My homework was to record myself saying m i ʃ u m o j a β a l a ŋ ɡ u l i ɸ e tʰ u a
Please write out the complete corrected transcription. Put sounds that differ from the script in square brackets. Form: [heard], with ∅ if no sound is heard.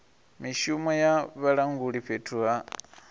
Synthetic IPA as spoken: m i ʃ u m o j a β a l a ŋ ɡ u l i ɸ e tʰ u a